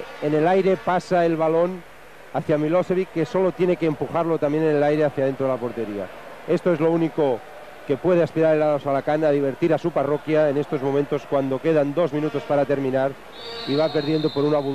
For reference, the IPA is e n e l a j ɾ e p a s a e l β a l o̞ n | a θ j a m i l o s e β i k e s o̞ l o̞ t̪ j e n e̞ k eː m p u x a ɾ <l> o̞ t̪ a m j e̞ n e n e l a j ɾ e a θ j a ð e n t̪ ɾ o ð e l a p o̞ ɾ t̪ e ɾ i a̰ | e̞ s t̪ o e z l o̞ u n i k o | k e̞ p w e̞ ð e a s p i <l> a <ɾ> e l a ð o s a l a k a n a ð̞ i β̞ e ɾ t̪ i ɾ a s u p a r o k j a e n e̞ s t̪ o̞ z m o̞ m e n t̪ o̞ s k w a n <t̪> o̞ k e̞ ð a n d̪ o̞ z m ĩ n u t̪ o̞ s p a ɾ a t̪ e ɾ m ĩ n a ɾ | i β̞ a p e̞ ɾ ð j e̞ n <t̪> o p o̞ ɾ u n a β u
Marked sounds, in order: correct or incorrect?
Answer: correct, incorrect: ɾ, correct, incorrect: d̪, incorrect: d̪

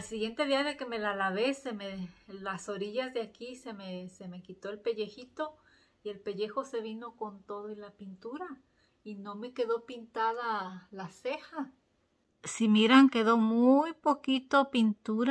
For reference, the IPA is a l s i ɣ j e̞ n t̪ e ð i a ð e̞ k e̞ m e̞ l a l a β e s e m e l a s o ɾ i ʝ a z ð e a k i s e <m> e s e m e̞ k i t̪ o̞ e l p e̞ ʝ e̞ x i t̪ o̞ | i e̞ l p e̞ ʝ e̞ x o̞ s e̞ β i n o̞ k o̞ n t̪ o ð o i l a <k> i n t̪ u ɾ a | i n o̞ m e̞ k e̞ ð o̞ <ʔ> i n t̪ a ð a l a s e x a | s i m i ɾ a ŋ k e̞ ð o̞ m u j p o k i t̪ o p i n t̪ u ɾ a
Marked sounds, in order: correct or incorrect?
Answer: correct, incorrect: p, incorrect: p

